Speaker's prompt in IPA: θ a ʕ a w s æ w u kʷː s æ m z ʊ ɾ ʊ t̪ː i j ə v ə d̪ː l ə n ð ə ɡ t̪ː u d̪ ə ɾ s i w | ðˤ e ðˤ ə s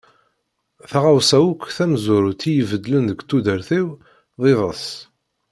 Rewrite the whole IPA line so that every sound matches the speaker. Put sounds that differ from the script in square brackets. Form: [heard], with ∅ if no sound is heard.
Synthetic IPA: θ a [ʁ] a w s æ w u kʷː [θ] æ m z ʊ ɾ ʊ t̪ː i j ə v ə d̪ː l ə n ð ə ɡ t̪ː u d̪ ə ɾ [θ] i w | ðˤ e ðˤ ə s